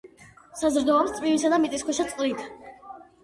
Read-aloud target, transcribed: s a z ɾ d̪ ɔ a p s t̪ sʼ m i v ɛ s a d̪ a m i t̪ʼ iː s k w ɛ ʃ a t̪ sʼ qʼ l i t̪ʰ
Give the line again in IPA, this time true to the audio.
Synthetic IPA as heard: s a z ɾ d̪ ɔ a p s t̪ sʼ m i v i s a d̪ a m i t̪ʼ i s k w ɛ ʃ a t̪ sʼ qʼ l i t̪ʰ